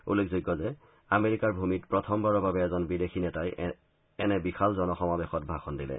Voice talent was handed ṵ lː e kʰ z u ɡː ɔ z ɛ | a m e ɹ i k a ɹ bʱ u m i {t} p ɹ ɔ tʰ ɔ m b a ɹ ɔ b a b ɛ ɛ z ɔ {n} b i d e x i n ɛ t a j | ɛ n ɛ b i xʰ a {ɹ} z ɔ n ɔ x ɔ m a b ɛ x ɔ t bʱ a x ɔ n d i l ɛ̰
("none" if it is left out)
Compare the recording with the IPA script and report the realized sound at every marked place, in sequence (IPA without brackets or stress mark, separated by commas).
t, n, l